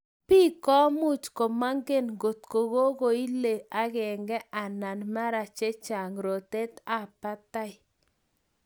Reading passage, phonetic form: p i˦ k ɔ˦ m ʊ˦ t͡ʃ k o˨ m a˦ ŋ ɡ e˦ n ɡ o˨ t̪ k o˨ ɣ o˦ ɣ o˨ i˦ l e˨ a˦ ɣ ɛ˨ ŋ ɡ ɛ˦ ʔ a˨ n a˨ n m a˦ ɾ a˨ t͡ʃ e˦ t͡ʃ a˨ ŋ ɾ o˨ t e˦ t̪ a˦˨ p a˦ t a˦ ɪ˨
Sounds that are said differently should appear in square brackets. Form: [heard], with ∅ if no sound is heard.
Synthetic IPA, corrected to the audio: p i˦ k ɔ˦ m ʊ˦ t͡ʃ k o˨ m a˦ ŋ ɡ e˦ n ɡ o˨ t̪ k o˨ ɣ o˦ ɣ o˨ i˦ l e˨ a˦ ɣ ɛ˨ ŋ ɡ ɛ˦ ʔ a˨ n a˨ n m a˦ ɾ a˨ t͡ʃ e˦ t͡ʃ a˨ ŋ ɾ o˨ t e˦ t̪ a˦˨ p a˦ t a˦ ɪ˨

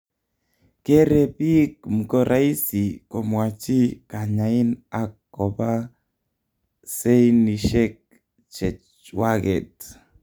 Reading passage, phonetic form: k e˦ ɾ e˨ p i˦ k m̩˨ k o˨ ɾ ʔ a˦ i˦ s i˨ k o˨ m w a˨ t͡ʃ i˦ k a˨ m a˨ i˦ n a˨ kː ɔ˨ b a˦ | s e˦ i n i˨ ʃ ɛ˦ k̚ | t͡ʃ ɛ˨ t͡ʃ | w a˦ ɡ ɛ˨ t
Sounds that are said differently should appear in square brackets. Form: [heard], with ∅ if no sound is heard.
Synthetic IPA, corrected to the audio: k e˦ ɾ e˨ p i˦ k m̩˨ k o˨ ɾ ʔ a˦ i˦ s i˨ k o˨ m w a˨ t͡ʃ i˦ k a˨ [ɲ] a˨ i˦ n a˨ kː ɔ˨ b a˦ | s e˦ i n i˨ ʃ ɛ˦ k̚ | t͡ʃ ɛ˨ t͡ʃ | w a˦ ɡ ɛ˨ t

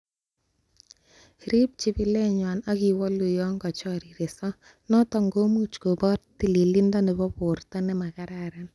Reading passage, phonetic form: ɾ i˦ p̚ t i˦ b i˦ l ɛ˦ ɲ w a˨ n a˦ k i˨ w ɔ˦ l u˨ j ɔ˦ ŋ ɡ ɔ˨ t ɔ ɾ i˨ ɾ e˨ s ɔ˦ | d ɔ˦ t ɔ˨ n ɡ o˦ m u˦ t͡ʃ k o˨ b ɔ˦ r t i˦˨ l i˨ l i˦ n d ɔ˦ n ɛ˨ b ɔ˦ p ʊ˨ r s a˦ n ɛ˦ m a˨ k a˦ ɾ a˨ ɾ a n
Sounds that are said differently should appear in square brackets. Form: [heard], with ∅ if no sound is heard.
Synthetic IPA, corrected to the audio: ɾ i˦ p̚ [t͡ʃ] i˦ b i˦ l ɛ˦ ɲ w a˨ n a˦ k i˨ w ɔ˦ l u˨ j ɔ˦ ŋ ɡ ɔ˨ [t͡ʃ] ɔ ɾ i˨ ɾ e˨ s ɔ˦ | [n] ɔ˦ t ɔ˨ [ŋ] ɡ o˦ m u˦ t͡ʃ k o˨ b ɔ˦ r t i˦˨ l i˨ l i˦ n d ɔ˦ n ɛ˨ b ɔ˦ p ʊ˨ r [t] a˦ n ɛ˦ m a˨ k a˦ ɾ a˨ ɾ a n

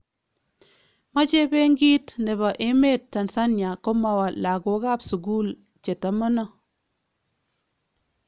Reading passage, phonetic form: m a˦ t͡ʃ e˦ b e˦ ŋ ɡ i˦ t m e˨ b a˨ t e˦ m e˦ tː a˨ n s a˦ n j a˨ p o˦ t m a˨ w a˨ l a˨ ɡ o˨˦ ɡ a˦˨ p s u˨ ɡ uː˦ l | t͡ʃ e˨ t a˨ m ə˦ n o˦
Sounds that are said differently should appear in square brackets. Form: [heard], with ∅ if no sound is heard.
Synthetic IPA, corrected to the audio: m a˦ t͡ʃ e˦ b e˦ ŋ ɡ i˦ t [n] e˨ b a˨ [ʔ] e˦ m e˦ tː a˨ n s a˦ n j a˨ [k] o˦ [∅] m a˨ w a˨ l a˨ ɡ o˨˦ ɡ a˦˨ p s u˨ ɡ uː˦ l | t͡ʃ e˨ t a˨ m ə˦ n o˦

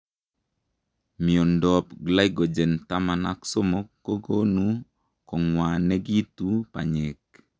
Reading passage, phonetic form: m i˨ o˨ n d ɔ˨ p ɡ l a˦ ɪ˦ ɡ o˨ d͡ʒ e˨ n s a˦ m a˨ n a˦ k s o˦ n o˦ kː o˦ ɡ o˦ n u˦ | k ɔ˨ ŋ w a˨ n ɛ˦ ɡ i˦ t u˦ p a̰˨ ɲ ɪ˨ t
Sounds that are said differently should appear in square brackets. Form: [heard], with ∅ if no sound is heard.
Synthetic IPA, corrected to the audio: m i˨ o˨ n d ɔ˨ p ɡ l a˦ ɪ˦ ɡ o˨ d͡ʒ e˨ n [t] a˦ m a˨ n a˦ k s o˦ [m] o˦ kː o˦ ɡ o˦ n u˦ | k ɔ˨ ŋ w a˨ n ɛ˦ ɡ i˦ t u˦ p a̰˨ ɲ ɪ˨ [k]

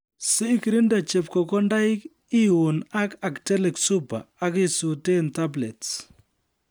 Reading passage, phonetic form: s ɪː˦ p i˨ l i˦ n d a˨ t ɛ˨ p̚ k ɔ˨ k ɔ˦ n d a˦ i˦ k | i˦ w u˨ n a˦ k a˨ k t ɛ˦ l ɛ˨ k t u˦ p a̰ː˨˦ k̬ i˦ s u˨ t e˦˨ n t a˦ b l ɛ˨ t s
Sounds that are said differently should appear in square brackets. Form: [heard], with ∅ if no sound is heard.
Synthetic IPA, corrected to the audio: s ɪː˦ [k] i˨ [ɾ] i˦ n d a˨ [t͡ʃ] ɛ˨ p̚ k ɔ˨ k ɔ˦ n d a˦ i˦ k | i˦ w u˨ n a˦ k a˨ k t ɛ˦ l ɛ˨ k [s] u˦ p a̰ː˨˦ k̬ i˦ s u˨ t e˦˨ n t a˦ b l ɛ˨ t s

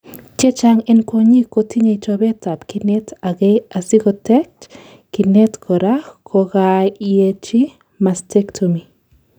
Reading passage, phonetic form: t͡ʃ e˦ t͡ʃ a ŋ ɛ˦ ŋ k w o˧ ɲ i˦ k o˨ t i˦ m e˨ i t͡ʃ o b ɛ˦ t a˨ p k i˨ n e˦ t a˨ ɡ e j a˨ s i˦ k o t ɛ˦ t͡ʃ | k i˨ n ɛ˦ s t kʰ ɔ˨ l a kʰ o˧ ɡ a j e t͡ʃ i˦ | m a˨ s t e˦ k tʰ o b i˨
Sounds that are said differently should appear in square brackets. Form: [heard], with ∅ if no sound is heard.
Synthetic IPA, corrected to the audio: t͡ʃ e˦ t͡ʃ a ŋ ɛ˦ [n] k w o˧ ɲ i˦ k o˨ t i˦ [ɲ] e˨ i t͡ʃ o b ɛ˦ t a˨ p k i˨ n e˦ t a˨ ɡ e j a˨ s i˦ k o t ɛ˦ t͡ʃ | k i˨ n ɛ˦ [∅] t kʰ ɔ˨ [ɾ] a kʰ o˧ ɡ a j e t͡ʃ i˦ | m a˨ s t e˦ k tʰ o [m] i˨

